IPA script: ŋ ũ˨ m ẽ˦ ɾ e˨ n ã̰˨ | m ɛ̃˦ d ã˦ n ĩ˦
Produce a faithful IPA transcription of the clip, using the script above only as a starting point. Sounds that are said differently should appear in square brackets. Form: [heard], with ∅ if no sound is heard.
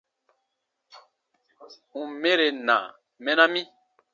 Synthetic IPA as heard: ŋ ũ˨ m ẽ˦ ɾ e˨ n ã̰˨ | m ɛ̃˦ [n] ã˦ [m] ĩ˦